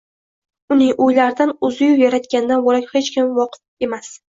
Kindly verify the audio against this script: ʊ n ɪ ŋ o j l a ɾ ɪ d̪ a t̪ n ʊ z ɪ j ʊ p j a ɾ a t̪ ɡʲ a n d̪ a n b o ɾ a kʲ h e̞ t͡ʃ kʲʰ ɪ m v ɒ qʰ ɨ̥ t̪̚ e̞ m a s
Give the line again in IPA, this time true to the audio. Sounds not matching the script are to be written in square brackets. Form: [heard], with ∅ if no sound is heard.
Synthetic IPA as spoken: ʊ n ɪ ŋ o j l a ɾ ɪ d̪ a [∅] n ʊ z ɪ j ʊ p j a ɾ a t̪ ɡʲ a n d̪ a n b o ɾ a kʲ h e̞ t͡ʃ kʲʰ ɪ m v ɒ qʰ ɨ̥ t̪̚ e̞ m a s